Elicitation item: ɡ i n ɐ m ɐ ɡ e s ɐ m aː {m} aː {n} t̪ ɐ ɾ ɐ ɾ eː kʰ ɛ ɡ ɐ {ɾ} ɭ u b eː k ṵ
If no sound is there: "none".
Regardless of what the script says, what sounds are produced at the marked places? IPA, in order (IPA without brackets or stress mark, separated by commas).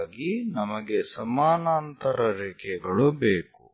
n, n, none